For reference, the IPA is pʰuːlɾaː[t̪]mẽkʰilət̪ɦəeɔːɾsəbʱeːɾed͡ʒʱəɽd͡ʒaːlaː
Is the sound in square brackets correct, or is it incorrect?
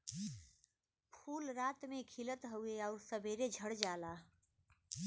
correct